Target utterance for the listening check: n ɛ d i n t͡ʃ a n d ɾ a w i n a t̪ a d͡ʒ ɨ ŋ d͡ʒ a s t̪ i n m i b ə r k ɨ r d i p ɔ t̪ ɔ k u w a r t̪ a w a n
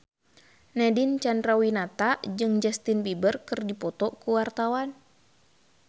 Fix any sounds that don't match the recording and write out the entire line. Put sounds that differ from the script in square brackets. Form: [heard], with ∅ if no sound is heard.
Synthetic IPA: n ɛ d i n t͡ʃ a n d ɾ a w i n a t̪ a d͡ʒ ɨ ŋ d͡ʒ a s t̪ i n [b] i b ə r k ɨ r d i p ɔ t̪ ɔ k u w a r t̪ a w a n